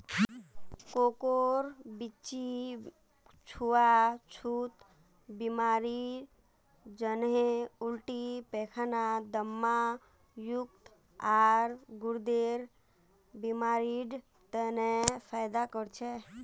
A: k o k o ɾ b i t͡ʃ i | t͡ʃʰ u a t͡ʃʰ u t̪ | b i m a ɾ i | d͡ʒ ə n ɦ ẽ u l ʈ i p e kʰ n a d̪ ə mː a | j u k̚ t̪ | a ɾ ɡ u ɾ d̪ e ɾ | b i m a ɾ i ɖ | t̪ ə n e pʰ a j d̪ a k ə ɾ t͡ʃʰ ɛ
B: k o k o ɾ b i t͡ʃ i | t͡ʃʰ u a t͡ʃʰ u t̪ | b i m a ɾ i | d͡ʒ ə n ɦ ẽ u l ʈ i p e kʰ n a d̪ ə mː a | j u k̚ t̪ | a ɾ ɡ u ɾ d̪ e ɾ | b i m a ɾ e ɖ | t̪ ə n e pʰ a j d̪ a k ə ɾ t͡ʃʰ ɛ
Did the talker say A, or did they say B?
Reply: A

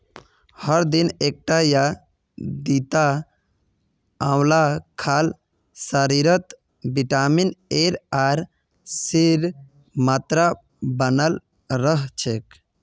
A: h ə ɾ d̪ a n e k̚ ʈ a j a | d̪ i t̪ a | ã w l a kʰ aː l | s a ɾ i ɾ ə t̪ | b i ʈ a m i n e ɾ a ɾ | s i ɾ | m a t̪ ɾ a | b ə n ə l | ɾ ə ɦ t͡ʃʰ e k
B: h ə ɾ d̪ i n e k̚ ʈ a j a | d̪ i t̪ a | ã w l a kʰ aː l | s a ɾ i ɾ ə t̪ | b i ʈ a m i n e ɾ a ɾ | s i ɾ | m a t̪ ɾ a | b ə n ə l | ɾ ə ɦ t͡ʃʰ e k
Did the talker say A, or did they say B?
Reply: B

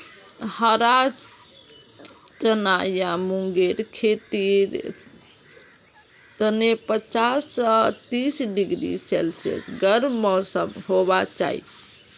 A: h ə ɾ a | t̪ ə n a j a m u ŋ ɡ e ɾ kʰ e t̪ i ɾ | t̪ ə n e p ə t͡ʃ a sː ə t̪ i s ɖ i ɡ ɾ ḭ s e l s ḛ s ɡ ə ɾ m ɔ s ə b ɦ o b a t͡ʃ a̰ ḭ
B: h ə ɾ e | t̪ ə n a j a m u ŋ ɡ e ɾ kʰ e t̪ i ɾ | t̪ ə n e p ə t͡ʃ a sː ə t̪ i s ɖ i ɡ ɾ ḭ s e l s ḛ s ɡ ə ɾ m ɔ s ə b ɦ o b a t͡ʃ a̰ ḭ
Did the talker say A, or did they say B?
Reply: A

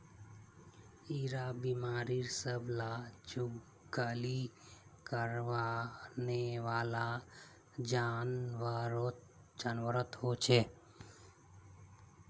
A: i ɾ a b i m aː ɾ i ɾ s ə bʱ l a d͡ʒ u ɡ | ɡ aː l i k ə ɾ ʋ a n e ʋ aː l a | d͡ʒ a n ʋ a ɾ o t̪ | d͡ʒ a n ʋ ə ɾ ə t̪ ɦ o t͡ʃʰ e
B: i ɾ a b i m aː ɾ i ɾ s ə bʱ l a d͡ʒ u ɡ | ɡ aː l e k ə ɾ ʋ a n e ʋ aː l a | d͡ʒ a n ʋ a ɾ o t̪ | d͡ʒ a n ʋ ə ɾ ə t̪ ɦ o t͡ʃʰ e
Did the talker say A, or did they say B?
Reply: A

